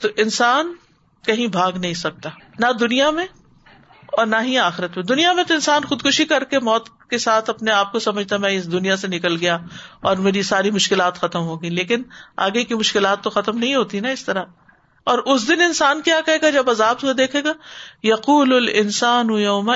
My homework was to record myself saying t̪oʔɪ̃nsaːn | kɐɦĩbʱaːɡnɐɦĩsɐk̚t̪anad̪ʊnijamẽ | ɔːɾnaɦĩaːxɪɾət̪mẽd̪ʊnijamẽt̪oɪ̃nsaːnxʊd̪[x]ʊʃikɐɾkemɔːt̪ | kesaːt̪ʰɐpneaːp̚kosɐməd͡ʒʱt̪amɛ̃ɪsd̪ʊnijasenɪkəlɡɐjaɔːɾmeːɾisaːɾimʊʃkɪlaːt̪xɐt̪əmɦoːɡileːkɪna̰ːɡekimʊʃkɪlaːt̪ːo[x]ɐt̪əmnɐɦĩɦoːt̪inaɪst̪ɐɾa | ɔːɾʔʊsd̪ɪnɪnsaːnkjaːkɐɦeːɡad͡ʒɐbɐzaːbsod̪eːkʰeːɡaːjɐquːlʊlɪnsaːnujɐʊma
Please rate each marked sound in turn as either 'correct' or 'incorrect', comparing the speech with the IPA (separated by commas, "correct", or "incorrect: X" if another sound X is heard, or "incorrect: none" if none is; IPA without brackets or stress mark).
incorrect: k, correct